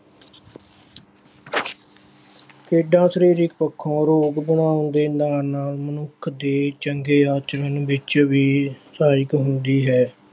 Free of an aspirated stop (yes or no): no